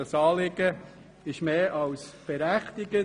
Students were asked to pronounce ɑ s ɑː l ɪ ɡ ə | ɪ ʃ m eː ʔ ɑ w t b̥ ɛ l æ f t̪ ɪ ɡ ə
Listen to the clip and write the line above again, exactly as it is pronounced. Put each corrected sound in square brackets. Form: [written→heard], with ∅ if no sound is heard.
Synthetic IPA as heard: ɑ s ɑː l ɪ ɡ ə | ɪ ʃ m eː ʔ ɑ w [t→s] b̥ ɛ [l→ɾ] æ [f→χ] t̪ ɪ ɡ ə